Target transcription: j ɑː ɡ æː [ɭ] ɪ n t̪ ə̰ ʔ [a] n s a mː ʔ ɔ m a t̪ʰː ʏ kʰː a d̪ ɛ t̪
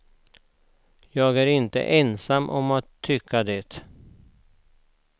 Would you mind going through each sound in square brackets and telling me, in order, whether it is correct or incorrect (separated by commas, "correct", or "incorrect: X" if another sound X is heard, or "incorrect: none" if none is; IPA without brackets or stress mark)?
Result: incorrect: ɾ, incorrect: ɛ